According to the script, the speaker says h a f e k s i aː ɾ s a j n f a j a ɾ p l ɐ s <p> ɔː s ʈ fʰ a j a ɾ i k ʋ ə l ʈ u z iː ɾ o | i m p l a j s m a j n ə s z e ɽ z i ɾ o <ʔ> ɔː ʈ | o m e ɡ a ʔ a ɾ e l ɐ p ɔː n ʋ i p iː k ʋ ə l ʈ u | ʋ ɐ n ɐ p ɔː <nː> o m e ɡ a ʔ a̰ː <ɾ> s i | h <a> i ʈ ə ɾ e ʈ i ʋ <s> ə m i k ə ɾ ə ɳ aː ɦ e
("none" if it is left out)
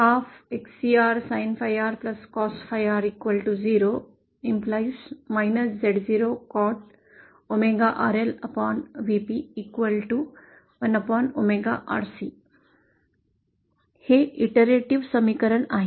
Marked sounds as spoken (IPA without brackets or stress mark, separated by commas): k, k, n, ɾ, e, s